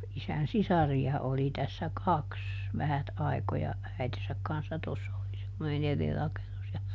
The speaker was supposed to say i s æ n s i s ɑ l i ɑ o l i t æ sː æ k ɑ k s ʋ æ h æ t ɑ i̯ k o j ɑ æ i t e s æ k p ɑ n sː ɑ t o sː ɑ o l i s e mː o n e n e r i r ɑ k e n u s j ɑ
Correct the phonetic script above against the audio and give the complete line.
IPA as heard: i s æ n s i s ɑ r i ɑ o l i t æ sː æ k ɑ k s ʋ æ h æ t ɑ i̯ k o j ɑ æ i t e s æ k k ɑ n sː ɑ t o sː ɑ o l i s e mː o n e n e r i r ɑ k e n u s j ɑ